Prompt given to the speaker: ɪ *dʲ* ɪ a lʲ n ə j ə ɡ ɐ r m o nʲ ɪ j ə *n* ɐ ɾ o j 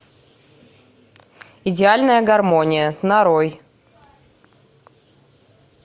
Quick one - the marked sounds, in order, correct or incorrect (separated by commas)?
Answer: correct, correct